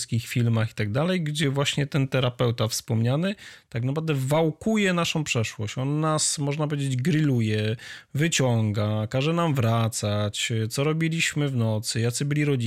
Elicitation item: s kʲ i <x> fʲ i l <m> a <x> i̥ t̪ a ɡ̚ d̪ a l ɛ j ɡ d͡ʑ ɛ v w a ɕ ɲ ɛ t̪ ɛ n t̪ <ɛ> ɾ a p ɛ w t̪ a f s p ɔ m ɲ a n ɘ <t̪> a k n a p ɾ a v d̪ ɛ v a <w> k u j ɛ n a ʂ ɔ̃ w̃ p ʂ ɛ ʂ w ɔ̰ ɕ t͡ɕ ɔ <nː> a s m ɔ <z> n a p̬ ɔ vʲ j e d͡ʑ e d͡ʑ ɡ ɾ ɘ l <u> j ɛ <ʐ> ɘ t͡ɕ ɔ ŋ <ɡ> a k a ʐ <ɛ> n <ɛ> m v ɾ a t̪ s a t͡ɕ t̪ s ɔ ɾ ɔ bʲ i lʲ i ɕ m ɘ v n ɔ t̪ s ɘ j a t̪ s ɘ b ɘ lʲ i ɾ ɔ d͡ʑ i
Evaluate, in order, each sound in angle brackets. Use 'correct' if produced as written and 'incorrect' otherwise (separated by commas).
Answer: correct, correct, correct, correct, correct, correct, correct, incorrect, correct, incorrect, correct, correct, incorrect